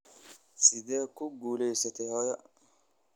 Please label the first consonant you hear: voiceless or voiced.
voiceless